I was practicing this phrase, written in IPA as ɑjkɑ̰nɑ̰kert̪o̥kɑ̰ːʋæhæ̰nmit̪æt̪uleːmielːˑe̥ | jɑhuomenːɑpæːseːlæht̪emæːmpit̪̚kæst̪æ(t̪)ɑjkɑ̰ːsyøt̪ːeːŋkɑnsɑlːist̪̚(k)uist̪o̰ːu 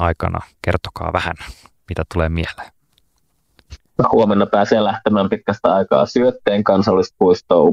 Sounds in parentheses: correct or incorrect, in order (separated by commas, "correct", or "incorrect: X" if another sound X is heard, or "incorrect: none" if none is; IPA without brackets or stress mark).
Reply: incorrect: none, incorrect: p